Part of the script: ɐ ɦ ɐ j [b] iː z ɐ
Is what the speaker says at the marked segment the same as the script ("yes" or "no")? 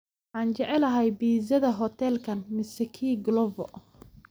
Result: yes